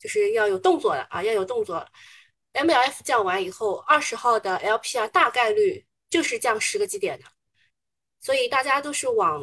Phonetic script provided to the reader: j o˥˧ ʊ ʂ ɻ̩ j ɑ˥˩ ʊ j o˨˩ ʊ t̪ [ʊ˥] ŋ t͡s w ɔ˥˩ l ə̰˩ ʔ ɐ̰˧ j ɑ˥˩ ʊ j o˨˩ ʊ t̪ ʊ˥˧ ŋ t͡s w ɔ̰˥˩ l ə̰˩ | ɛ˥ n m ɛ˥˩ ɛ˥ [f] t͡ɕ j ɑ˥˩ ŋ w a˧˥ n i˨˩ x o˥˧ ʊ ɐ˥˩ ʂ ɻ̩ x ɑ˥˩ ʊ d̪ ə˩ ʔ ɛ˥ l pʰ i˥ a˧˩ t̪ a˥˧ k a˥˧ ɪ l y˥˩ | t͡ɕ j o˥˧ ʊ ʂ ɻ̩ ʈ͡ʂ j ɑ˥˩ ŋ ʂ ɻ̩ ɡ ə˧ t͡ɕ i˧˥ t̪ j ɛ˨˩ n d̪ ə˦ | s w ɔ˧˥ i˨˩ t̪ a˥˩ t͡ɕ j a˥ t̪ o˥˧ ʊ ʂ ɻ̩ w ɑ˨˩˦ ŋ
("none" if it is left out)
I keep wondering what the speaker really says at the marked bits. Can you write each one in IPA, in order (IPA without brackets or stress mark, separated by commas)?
ʊ˥˧, f